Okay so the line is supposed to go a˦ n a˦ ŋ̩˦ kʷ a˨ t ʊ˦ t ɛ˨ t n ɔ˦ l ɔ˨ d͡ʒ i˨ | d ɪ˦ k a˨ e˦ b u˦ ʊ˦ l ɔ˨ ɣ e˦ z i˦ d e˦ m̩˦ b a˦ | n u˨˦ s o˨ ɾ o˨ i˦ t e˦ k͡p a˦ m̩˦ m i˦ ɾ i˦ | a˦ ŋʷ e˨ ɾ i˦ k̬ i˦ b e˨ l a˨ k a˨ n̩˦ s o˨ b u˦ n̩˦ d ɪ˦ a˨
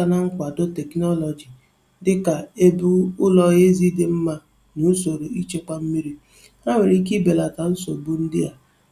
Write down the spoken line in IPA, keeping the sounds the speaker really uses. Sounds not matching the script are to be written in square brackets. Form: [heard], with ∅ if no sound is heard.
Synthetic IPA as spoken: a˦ n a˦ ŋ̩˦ kʷ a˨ [d] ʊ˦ t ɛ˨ [k] n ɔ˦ l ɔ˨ d͡ʒ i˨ | d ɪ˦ k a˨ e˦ b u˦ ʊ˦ l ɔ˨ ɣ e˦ z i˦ d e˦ m̩˦ [m] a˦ | n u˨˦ s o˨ ɾ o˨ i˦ [t͡ʃ] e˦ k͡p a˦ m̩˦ m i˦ ɾ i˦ | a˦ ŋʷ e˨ ɾ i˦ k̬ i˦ b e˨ l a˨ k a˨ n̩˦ s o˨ b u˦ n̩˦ d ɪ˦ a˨